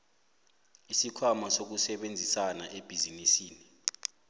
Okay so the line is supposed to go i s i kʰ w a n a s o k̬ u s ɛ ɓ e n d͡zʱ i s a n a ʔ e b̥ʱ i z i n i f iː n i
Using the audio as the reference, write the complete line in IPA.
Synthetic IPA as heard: i s i kʰ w a m a s o k̬ u s ɛ ɓ e n d͡zʱ i s a n a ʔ e b̥ʱ i z i n i s iː n i